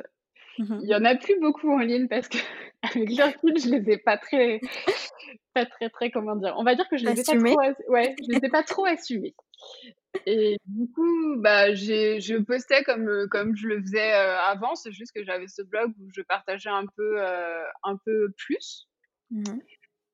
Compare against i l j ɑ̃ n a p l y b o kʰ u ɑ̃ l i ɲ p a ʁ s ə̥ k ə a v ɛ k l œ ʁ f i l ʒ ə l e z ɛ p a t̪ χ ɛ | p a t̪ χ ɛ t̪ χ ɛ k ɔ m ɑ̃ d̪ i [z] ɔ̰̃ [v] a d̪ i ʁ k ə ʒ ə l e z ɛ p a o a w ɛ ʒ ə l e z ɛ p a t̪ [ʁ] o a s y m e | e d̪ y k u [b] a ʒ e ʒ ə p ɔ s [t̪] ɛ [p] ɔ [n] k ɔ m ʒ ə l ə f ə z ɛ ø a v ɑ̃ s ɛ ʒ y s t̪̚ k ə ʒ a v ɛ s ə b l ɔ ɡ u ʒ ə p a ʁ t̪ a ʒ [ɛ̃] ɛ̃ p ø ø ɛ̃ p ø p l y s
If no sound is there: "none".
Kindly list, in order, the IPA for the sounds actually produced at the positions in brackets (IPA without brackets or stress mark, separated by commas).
ʁ, v, χ, b, t̪, k, m, ɛ